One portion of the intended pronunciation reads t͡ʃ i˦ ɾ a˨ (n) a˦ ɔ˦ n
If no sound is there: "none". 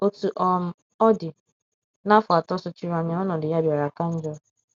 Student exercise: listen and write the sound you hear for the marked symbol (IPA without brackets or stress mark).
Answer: ɲ